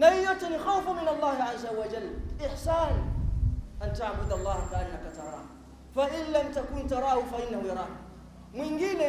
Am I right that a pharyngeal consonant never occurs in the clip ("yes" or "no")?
no